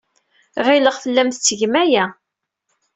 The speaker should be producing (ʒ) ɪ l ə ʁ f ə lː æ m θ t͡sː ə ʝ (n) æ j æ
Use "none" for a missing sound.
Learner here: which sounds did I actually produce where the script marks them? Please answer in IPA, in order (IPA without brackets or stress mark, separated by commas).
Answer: ʁ, m